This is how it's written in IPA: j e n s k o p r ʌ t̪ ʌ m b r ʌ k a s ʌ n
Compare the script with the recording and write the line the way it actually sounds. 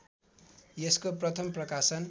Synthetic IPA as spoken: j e s k o p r ʌ t̪ʰ ʌ m p r ʌ k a s ʌ n